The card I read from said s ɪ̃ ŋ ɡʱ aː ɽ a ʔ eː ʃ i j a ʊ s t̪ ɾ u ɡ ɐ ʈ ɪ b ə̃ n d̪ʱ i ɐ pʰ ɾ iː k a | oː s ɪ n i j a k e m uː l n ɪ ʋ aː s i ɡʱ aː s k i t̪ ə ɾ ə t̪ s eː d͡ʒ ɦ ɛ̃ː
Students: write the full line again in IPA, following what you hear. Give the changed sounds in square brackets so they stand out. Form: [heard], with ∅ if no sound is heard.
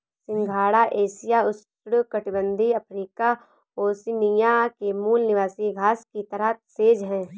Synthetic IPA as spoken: s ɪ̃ ŋ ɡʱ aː ɽ a ʔ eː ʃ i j a ʊ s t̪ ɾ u [k] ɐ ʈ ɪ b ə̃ n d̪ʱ i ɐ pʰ ɾ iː k a | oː s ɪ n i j a k e m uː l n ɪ ʋ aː s i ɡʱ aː s k i t̪ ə ɾ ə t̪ s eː d͡ʒ ɦ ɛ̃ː